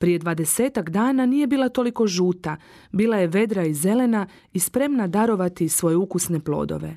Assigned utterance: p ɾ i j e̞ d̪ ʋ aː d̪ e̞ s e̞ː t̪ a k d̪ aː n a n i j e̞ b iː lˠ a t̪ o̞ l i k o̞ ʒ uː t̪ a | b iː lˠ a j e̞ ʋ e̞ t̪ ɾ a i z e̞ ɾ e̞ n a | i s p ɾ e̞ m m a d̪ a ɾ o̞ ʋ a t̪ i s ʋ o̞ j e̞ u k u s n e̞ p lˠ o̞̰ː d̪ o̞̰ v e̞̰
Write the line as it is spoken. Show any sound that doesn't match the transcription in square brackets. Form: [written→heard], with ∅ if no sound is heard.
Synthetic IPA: p ɾ i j e̞ d̪ ʋ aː d̪ e̞ s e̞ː t̪ a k d̪ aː n a n i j e̞ b iː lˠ a t̪ o̞ l i k o̞ ʒ uː t̪ a | b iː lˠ a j e̞ ʋ e̞ [t̪→d̪] ɾ a i z e̞ [ɾ→l] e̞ n a | i s p ɾ e̞ m [m→n] a d̪ a ɾ o̞ ʋ a t̪ i s ʋ o̞ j e̞ u k u s n e̞ p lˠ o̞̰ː d̪ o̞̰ [v→ʋ] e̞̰